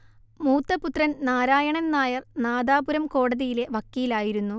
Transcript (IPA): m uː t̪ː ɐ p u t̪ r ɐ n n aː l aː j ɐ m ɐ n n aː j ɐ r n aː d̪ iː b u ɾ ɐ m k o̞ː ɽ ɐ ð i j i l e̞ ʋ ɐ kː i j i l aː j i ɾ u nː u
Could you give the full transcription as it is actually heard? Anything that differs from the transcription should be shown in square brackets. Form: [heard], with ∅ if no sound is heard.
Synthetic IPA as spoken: m uː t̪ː ɐ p u t̪ r ɐ n n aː [ɾ] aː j ɐ [ɳ] ɐ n n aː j ɐ r n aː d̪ [aː] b u ɾ ɐ m k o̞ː ɽ ɐ ð i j i l e̞ ʋ ɐ kː i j i l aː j i ɾ u nː u